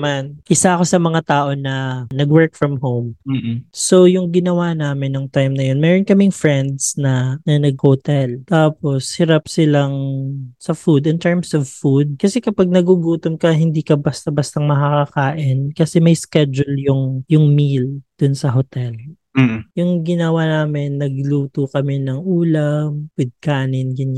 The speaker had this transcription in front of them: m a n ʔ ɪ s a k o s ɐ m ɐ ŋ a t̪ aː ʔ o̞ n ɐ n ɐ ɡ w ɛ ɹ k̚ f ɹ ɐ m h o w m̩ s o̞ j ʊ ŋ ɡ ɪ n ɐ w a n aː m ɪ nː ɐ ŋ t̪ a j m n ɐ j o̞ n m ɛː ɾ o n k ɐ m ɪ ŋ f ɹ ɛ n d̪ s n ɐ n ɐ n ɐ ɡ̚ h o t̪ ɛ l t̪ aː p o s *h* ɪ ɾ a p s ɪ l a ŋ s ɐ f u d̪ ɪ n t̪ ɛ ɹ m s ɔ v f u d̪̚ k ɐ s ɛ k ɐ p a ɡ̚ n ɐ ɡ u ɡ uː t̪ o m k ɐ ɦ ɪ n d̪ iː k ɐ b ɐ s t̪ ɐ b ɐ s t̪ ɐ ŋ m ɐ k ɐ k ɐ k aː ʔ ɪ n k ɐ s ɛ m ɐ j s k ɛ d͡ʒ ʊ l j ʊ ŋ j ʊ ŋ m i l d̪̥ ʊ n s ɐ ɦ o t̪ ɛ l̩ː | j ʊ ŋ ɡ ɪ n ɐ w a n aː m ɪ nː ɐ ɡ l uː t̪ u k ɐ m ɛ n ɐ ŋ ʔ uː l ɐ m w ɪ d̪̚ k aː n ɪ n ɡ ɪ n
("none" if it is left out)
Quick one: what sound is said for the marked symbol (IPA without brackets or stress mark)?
h